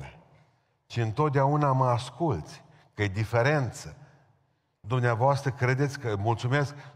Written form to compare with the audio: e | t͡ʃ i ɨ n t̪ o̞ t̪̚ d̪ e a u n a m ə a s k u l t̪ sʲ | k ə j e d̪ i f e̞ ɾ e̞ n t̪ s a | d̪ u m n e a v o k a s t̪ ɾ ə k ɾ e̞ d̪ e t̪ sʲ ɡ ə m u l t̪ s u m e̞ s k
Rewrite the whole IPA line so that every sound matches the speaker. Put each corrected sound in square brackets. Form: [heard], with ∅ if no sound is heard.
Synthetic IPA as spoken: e | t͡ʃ i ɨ n t̪ o̞ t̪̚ d̪ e a u n a m ə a s k u l t̪ sʲ | k ə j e d̪ i f e̞ ɾ e̞ n t̪ s [ə] | d̪ u m n e a v o [∅] a s t̪ ɾ ə k ɾ e̞ d̪ e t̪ sʲ [k] ə m u l t̪ s u m e̞ s k